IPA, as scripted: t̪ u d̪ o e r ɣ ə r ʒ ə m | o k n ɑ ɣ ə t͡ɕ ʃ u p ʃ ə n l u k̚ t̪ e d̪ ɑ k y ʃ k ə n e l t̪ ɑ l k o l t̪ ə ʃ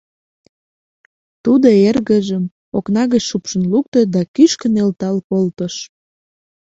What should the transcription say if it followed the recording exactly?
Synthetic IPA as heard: t̪ u d̪ o e r ɣ ə ʒ ə m | o k n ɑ ɣ ə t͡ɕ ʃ u p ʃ ə n l u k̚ t̪ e d̪ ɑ k y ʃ k ə n e l t̪ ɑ l k o l t̪ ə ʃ